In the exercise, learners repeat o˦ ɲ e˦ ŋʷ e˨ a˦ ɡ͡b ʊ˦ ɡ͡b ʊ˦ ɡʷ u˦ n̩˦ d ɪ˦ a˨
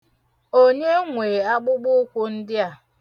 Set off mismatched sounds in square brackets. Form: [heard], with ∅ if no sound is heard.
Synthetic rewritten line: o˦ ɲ e˦ ŋʷ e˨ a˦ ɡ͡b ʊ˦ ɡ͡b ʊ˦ [kʷ] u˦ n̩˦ d ɪ˦ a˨